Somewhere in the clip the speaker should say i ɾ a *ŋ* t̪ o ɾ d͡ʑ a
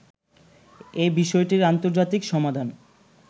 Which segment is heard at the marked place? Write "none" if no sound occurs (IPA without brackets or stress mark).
n